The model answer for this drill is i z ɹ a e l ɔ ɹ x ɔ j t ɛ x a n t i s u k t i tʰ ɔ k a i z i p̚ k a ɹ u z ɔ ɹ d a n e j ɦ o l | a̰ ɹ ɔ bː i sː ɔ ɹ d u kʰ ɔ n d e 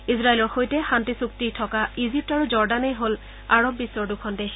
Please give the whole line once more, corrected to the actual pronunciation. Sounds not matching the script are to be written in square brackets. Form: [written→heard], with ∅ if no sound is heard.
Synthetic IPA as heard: i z ɹ a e l ɔ ɹ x [ɔ→o] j t ɛ x a n t i s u k t i tʰ ɔ k a i z i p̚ [k→t] a ɹ u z ɔ ɹ d a n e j ɦ o l | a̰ ɹ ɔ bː i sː ɔ ɹ d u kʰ ɔ n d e